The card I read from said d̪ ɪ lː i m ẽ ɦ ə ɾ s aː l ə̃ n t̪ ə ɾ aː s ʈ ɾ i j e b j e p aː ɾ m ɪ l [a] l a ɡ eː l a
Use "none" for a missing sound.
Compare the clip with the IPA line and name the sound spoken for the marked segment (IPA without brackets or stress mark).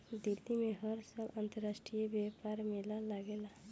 a